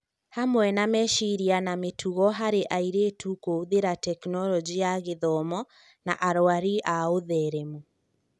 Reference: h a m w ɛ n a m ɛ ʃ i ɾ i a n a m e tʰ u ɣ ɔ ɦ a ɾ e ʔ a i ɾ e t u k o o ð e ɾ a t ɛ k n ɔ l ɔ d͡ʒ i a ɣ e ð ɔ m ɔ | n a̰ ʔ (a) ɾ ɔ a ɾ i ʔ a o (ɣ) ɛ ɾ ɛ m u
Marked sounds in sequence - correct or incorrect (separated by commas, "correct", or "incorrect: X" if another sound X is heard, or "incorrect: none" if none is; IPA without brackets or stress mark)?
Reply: correct, incorrect: ð